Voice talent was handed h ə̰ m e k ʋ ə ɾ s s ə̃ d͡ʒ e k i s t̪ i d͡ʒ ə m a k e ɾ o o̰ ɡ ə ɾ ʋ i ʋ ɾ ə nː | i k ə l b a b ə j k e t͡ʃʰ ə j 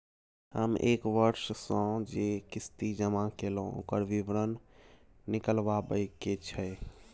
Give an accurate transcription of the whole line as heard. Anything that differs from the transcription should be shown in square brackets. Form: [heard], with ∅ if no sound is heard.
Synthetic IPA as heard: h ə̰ m e k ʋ ə ɾ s s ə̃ d͡ʒ e k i s t̪ i d͡ʒ ə m a k e [l] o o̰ [k] ə ɾ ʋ i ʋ ɾ ə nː | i k ə l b a b ə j k e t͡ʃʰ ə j

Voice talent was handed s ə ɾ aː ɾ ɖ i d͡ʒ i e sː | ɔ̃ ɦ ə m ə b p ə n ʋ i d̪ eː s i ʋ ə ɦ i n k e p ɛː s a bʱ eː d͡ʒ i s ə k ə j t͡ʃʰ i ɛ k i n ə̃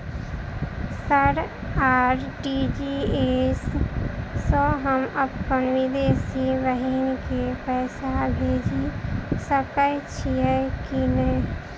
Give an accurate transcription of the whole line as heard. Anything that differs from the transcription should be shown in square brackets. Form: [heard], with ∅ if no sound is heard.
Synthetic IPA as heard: s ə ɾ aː ɾ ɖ i d͡ʒ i e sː | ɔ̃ ɦ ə m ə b [k] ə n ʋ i d̪ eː s i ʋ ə ɦ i n k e p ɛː s a bʱ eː d͡ʒ i s ə k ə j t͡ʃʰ i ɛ k i n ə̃

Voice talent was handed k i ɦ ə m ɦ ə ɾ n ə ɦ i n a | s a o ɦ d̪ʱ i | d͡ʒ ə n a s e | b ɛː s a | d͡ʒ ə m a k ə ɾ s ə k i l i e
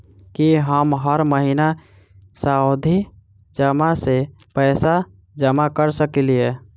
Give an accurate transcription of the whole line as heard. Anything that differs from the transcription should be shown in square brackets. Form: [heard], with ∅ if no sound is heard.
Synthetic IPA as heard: k i ɦ ə m ɦ ə ɾ [m] ə ɦ i n a | s a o [∅] d̪ʱ i | d͡ʒ ə [m] a s e | [p] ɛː s a | d͡ʒ ə m a k ə ɾ s ə k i l i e

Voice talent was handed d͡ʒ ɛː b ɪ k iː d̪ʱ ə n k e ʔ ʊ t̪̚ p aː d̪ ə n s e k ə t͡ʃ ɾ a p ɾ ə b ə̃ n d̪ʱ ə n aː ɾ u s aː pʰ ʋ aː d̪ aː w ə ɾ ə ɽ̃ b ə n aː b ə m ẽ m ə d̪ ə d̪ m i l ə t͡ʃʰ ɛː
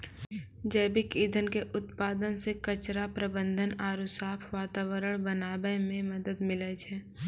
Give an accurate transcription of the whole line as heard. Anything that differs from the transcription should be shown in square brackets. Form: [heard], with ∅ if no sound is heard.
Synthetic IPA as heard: d͡ʒ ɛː b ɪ k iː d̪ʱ ə n k e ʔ ʊ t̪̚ p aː d̪ ə n s e k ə t͡ʃ ɾ a p ɾ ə b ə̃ n d̪ʱ ə n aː ɾ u s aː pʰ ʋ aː [t̪] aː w ə ɾ ə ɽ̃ b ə n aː b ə m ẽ m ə d̪ ə d̪ m [ɪ] l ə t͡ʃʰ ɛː

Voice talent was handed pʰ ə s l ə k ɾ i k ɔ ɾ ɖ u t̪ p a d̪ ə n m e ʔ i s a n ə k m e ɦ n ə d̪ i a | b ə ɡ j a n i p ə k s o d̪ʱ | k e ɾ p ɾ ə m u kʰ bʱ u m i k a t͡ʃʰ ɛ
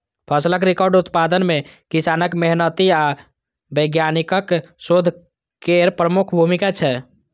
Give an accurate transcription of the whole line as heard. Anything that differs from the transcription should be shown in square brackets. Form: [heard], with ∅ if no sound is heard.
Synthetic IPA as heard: pʰ ə s l ə k ɾ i k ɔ ɾ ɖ u t̪ p a d̪ ə n m e [k] i s a n ə k m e ɦ n ə [t̪] i a | b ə ɡ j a n i [k] ə k s o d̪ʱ | k e ɾ p ɾ ə m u kʰ bʱ u m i k a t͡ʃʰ ɛ

